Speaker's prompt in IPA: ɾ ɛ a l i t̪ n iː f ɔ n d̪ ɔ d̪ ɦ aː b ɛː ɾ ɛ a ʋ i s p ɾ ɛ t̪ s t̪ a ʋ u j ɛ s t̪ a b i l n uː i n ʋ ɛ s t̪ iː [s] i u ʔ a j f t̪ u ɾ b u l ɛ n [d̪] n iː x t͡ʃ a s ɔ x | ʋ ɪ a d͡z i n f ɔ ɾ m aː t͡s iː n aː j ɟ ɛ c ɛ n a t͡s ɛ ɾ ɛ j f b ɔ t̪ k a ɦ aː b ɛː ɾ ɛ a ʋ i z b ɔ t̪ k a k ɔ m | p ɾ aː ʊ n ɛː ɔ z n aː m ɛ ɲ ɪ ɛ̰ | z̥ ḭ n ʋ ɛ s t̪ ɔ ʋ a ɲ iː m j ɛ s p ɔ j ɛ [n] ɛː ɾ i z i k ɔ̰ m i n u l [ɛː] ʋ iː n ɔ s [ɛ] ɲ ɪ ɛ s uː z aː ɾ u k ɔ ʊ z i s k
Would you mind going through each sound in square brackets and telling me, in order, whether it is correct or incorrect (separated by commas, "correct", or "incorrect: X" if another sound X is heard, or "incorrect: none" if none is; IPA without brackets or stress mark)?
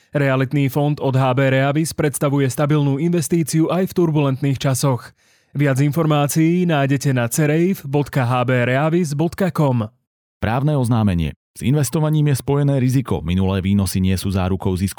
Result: incorrect: t͡s, incorrect: t̪, correct, correct, incorrect: i